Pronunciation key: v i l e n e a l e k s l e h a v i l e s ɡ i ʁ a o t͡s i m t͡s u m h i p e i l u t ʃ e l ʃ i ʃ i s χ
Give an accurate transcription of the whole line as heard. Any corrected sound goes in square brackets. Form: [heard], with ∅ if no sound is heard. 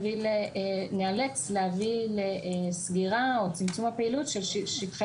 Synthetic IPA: v i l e n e a l e k s l e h a v i l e s ɡ i ʁ a o t͡s i m t͡s u m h [a] p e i l u t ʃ e l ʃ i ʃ i [t] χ